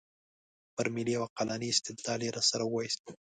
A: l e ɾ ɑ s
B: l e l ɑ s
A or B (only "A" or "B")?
A